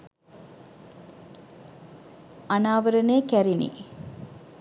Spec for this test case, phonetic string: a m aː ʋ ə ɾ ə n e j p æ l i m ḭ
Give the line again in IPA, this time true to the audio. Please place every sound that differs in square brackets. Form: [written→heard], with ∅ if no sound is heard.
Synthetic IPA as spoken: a [m→n] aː ʋ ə ɾ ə n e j [p→k] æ [l→ɾ] i [m→n] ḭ